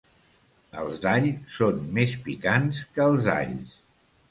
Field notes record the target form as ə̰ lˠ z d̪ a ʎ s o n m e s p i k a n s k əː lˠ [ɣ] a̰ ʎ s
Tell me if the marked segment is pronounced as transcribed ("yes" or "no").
no